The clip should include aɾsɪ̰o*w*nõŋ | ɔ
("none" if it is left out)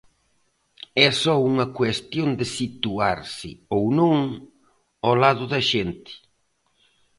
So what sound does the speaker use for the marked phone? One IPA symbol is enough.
w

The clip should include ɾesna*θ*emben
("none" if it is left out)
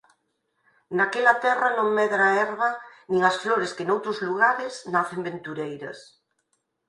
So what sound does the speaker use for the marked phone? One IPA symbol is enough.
θ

